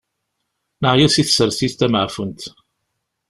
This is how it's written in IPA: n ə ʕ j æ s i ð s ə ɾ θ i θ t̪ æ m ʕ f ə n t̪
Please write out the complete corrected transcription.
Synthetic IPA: n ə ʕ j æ s i θ s ə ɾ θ i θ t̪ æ m ʕ f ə n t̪

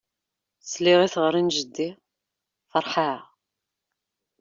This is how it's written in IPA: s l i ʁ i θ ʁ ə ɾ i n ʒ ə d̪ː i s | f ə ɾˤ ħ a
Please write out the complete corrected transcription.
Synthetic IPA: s l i ʁ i θ ʁ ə ɾ i n ʒ ə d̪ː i | f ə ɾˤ ħ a

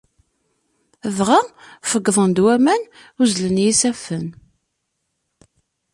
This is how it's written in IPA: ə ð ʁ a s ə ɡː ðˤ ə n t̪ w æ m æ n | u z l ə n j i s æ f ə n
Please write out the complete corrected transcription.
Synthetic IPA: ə v ʁ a f ə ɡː ðˤ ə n d̪ w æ m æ n | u z l ə n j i s æ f ə n

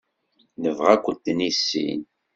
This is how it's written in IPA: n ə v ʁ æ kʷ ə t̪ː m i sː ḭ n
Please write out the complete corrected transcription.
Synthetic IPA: n ə v ʁ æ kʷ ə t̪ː n i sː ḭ n

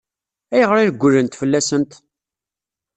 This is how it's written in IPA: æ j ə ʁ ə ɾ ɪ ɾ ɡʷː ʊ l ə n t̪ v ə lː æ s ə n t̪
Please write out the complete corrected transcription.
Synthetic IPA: æ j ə ʁ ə ɾ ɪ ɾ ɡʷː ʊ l ə n t̪ f ə lː æ s ə n t̪

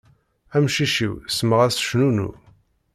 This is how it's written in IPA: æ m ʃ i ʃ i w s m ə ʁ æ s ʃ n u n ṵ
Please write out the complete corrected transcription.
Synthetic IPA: æ m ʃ i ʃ i w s m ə ʁ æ s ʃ n u n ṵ

